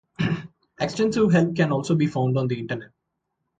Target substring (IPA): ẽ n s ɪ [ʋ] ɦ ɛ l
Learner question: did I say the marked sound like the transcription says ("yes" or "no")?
yes